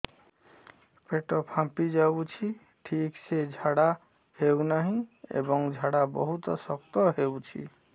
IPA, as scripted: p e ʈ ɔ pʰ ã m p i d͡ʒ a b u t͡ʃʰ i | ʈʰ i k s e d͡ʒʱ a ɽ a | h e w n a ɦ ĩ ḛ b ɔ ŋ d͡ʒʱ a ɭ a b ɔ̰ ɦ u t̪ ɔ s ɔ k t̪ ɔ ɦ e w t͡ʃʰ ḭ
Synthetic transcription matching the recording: p e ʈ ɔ pʰ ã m p i d͡ʒ a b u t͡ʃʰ i | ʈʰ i k s e d͡ʒʱ a ɽ a | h e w n a ɦ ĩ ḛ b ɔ ŋ d͡ʒʱ a ɽ a b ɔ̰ ɦ u t̪ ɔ s ɔ k t̪ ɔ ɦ e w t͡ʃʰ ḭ